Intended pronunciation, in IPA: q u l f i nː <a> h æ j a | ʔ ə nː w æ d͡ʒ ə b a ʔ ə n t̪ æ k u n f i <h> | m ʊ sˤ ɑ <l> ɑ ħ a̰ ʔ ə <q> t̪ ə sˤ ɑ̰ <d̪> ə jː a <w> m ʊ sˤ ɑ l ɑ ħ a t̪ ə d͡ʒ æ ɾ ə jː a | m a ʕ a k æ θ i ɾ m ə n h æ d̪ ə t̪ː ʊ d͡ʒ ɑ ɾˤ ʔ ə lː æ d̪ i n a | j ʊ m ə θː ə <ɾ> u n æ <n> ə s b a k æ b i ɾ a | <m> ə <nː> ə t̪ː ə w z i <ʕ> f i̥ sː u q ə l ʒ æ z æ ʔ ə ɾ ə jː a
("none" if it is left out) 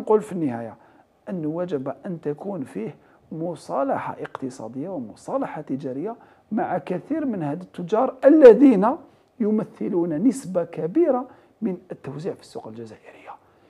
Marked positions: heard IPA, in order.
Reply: ə, h, l, q, d̪, w, l, n, m, n, ʕ

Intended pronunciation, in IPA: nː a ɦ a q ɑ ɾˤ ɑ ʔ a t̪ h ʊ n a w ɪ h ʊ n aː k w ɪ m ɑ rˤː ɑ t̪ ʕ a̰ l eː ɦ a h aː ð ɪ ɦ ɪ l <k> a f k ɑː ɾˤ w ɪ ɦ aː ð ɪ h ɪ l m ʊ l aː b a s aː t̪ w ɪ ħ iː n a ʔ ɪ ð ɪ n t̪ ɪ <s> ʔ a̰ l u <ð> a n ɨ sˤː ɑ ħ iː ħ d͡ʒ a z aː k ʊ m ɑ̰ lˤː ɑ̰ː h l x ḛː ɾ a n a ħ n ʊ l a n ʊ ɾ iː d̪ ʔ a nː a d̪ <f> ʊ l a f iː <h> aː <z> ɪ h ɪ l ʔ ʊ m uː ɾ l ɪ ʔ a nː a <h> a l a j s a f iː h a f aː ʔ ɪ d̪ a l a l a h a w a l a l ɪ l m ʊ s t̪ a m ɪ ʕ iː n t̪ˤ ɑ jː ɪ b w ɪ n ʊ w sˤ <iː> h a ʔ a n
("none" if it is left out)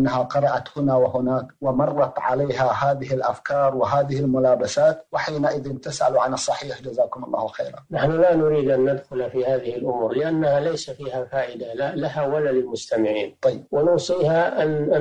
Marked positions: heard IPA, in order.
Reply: ʔ, s, ʕ, x, h, ð, h, iː

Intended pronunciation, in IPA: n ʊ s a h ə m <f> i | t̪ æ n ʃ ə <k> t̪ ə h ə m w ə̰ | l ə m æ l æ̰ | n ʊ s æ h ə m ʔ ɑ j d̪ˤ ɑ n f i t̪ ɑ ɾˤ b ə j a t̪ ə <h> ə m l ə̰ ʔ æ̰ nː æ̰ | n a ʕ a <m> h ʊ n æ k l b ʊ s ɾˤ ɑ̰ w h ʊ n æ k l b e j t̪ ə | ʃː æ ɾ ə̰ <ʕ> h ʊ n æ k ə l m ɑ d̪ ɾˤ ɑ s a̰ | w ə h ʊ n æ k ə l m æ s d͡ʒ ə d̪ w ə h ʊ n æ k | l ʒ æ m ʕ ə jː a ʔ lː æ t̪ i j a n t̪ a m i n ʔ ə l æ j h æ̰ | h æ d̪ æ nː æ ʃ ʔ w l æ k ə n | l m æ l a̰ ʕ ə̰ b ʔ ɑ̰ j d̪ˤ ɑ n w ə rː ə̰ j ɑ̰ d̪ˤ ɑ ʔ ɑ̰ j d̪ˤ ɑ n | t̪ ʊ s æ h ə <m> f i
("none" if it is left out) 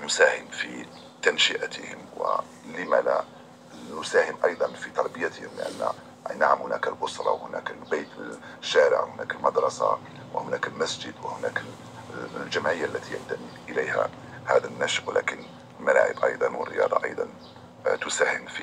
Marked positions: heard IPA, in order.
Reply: f, ʔ, h, m, ʕ, m

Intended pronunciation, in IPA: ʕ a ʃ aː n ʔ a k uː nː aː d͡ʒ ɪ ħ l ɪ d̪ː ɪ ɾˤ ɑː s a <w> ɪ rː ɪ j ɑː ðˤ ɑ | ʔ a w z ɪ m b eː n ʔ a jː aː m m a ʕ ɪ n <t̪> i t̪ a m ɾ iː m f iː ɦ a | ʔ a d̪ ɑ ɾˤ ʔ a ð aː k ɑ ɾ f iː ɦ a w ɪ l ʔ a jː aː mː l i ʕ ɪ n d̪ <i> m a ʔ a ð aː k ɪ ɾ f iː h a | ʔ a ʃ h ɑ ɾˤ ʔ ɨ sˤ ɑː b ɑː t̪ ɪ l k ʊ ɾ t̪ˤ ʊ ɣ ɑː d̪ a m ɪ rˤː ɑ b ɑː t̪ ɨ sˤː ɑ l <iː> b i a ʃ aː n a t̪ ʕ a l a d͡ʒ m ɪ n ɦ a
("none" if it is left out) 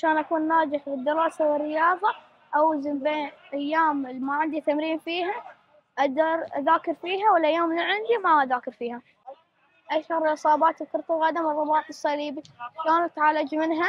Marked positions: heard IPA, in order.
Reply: w, d̪, i, iː

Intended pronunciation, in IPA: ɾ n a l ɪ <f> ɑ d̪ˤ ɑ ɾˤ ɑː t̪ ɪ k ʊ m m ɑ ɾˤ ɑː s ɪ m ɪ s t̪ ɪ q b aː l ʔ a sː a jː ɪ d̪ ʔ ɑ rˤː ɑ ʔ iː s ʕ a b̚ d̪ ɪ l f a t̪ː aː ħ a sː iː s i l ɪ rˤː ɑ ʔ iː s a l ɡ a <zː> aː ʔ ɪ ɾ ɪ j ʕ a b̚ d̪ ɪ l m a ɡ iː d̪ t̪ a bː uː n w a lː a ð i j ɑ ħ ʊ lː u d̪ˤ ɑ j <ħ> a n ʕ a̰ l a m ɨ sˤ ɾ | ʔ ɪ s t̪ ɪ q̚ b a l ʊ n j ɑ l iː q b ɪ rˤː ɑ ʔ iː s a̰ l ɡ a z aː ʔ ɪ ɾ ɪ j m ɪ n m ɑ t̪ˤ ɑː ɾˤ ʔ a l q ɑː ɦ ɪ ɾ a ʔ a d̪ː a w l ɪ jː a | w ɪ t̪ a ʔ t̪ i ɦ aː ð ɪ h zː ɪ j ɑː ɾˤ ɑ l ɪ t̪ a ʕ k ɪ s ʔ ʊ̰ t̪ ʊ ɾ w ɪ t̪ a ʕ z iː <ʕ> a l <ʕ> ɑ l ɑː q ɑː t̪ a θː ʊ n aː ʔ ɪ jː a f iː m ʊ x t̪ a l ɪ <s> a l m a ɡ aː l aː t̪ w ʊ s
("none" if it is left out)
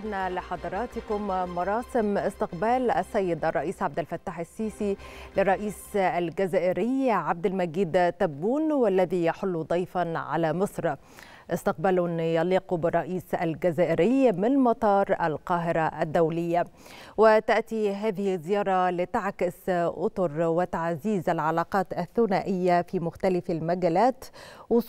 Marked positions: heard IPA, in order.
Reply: ħ, z, f, z, ʕ, f

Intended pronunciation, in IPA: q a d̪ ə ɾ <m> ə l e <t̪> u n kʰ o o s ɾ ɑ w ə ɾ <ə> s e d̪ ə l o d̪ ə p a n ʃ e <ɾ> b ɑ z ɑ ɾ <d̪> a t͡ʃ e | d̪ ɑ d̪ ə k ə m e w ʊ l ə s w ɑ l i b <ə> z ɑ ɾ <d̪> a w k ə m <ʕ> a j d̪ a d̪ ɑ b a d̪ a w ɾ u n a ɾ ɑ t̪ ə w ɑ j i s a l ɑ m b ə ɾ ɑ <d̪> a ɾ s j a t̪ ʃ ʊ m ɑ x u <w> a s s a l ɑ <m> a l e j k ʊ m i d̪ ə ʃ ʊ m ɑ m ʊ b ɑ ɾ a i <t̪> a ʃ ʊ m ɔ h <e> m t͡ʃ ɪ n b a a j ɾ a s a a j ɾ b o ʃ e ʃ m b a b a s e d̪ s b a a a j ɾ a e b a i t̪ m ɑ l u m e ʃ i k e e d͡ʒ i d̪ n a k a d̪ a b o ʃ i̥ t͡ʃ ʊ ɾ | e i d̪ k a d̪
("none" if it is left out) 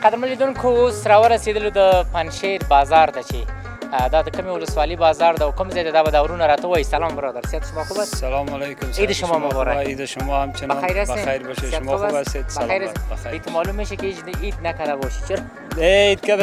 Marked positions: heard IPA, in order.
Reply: m, d̪, a, ɾ, d̪, ɑ, d̪, z, d̪, b, m, d̪, a

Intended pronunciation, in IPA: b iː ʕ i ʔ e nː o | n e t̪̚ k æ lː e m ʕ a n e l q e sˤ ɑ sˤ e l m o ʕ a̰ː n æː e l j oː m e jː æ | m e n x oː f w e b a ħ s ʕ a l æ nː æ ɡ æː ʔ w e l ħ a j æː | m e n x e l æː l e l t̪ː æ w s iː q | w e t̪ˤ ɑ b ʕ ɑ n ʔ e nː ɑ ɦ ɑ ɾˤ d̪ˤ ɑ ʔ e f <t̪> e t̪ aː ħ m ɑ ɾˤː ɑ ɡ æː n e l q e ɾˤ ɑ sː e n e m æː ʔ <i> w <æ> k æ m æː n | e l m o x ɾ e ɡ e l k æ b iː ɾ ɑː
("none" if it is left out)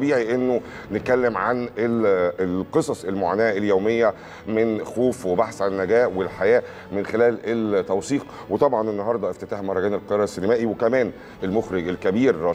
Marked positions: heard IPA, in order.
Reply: t̪, i, e

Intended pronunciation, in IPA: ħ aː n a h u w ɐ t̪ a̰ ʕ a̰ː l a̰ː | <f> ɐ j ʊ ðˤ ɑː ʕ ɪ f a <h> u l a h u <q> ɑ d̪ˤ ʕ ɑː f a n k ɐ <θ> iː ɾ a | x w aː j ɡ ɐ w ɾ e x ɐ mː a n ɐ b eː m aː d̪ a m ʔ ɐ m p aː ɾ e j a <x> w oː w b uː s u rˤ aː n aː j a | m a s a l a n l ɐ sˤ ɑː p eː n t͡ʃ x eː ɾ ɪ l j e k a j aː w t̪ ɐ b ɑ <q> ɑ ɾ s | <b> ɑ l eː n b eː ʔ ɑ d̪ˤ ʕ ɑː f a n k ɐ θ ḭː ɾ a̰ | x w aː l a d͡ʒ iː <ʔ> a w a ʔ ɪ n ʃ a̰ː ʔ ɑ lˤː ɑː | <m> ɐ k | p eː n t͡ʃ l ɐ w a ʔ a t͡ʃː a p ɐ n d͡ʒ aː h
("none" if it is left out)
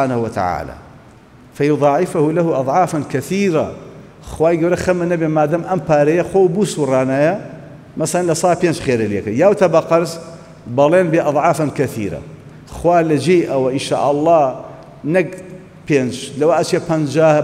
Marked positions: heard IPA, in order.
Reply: f, h, ʔ, θ, x, q, b, ʔ, n

